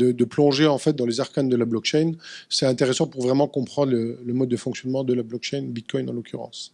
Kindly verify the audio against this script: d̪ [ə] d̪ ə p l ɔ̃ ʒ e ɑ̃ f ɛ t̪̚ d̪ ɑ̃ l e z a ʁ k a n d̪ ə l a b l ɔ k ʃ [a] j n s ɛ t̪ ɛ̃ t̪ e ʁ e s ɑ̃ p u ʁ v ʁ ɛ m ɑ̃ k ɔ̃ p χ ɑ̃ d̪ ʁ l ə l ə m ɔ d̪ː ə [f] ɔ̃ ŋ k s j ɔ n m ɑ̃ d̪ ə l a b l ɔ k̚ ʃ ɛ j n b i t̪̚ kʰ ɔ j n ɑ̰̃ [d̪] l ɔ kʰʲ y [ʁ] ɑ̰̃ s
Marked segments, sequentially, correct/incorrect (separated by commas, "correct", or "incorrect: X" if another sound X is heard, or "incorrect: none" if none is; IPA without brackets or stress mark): correct, incorrect: ɛ, correct, incorrect: none, correct